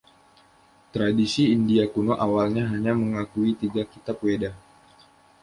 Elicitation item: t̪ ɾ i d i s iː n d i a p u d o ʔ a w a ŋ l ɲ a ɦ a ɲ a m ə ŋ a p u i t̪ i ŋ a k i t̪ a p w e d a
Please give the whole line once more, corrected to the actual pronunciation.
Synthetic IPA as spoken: t̪ ɾ a d i s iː n d i a k u n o ʔ a w a l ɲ a ɦ a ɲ a m ə ŋ a k u i t̪ i ɡ a k i t̪ a p w e d a